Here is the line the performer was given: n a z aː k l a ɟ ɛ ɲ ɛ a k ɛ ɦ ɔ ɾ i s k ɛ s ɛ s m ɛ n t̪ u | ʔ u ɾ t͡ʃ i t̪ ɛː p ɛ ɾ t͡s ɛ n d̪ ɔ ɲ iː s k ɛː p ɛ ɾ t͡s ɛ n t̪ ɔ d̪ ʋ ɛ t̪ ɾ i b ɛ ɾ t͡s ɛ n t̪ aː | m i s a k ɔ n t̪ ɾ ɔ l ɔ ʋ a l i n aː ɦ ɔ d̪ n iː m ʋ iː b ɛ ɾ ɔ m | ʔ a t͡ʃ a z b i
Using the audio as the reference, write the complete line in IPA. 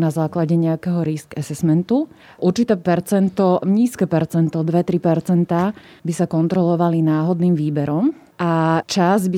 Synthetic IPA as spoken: n a z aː k l a ɟ ɛ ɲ ɛ a k ɛ ɦ ɔ ɾ i s k ɛ s ɛ s m ɛ n t̪ u | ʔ u ɾ t͡ʃ i t̪ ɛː p ɛ ɾ t͡s ɛ n t̪ ɔ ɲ iː s k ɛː p ɛ ɾ t͡s ɛ n t̪ ɔ d̪ ʋ ɛ t̪ ɾ i p ɛ ɾ t͡s ɛ n t̪ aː | b i s a k ɔ n t̪ ɾ ɔ l ɔ ʋ a l i n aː ɦ ɔ d̪ n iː m ʋ iː b ɛ ɾ ɔ m | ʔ a t͡ʃ a z b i